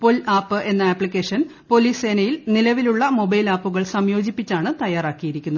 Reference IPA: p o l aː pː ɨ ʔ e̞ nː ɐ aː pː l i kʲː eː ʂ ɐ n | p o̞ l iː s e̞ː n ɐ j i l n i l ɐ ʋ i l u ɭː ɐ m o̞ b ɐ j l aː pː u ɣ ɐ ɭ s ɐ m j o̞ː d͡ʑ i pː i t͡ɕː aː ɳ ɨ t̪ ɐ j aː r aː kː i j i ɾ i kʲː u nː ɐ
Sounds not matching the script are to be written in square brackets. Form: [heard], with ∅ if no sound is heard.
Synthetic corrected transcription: p o l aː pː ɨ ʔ e̞ nː ɐ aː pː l i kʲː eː ʂ ɐ n | p o̞ l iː s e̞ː n ɐ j i l n i l ɐ ʋ i l u ɭː ɐ m o̞ b ɐ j l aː pː u ɣ ɐ ɭ s ɐ m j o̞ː d͡ʑ i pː i t͡ɕː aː ɳ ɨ t̪ ɐ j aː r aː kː i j i ɾ i kʲː u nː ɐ